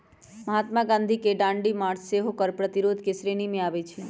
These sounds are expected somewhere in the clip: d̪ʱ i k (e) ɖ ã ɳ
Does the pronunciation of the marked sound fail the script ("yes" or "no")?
no